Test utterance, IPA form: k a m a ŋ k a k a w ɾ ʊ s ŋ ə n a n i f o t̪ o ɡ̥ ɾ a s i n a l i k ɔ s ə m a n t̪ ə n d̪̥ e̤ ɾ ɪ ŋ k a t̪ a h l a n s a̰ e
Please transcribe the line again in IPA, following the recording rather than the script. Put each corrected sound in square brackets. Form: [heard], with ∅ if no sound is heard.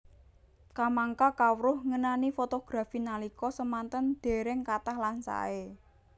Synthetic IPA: k a m a ŋ k a k a w ɾ ʊ [h] ŋ ə n a n i f o t̪ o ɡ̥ ɾ a [f] i n a l i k ɔ s ə m a n t̪ ə n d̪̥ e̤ ɾ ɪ ŋ k a t̪ a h l a n s a̰ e